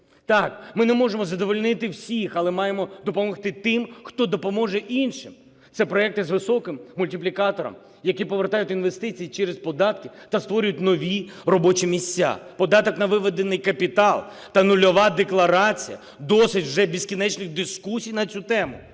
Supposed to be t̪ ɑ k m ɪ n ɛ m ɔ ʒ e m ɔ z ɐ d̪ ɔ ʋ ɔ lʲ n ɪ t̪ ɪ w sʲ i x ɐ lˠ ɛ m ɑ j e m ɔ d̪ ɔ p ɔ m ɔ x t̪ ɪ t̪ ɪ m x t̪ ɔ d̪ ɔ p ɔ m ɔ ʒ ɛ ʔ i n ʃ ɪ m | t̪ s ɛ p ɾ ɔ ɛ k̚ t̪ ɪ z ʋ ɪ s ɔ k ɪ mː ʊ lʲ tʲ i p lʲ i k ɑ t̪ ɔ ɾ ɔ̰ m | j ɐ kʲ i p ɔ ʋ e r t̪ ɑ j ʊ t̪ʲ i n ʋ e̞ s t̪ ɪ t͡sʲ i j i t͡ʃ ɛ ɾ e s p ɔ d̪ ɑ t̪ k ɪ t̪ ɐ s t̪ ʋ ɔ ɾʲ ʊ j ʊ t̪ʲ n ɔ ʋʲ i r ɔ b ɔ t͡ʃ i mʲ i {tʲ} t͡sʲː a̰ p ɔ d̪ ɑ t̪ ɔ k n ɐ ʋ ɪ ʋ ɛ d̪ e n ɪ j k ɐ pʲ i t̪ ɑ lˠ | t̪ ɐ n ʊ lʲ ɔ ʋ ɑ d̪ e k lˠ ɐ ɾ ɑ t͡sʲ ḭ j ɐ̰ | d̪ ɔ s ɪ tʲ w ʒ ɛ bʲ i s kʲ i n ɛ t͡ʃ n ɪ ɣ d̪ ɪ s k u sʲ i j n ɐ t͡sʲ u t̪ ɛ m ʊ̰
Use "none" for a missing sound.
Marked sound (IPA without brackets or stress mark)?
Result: sʲ